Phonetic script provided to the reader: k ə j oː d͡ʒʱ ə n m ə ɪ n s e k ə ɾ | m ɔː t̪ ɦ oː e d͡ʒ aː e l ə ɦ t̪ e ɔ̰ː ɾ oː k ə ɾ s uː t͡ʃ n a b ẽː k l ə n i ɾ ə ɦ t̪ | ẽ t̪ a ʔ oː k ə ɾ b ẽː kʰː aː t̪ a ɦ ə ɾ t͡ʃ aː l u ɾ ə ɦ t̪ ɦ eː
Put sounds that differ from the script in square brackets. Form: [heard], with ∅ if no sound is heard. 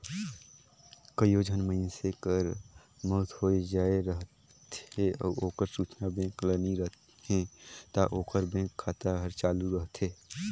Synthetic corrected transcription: k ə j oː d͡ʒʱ ə n m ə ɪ n s e k ə ɾ | m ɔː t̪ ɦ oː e d͡ʒ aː e [ɾ] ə ɦ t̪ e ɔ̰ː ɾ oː k ə ɾ s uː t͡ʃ n a b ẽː k l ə n i ɾ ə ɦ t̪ | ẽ t̪ a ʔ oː k ə ɾ b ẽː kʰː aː t̪ a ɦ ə ɾ t͡ʃ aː l u ɾ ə ɦ t̪ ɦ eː